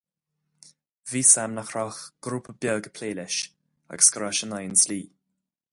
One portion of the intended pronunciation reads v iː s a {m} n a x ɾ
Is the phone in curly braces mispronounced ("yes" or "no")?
no